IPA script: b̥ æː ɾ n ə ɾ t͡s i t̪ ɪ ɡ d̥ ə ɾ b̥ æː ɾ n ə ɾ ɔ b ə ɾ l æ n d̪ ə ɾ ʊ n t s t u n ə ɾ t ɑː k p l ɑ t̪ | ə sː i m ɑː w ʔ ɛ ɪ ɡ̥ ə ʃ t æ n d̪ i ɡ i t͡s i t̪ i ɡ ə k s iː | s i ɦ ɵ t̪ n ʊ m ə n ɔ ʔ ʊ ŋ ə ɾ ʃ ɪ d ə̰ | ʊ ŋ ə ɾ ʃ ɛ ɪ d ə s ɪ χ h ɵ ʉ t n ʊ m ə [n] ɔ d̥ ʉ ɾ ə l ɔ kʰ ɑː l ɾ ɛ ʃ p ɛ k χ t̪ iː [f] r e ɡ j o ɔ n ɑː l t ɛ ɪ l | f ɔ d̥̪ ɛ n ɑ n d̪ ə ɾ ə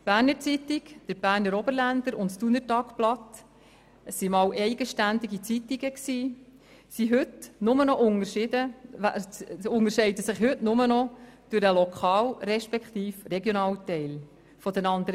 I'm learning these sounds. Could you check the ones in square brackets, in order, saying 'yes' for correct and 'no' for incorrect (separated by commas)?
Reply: yes, yes